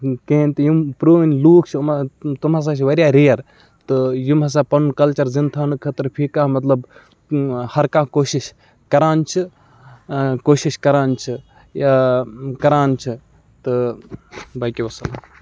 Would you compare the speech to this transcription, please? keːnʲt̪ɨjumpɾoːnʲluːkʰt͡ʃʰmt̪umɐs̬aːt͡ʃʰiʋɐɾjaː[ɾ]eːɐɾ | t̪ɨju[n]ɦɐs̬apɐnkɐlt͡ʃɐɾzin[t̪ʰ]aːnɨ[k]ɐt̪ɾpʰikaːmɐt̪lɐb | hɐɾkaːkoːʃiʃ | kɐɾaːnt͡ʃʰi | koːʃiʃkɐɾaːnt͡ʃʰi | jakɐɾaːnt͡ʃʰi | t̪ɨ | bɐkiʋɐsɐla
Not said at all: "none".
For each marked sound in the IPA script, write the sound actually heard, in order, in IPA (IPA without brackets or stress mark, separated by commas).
ɾ, m, t̪ʰ, kʰ